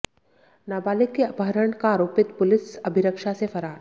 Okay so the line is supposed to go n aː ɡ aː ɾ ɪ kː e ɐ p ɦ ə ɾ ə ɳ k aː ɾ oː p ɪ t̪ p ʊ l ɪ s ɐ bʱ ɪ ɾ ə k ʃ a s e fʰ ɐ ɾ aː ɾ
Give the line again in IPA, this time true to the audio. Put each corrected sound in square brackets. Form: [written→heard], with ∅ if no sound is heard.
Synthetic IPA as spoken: n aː [ɡ→b] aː [ɾ→l] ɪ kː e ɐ p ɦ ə ɾ ə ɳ k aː ɾ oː p ɪ t̪ p ʊ l ɪ s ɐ bʱ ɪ ɾ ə k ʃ a s e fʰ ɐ ɾ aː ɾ